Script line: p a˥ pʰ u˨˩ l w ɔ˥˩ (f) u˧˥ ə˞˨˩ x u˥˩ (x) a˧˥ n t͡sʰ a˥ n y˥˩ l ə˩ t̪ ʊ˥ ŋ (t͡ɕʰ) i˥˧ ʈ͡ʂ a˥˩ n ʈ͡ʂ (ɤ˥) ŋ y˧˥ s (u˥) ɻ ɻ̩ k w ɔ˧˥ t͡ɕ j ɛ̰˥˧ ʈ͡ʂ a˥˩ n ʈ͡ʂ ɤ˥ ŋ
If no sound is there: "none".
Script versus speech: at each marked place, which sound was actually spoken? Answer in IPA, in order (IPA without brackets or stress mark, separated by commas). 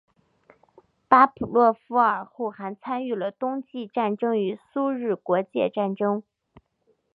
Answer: f, x, t͡ɕ, ɤ˥, u˥